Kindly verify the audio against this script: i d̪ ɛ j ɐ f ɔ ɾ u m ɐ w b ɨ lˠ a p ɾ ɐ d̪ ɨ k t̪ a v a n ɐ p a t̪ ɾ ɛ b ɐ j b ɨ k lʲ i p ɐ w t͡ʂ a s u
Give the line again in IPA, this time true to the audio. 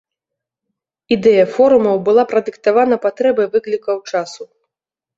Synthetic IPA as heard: i d̪ ɛ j ɐ f ɔ ɾ u m ɐ w b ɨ lˠ a p ɾ ɐ d̪ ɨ k t̪ a v a n ɐ p a t̪ ɾ ɛ b ɐ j v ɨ k lʲ i k ɐ w t͡ʂ a s u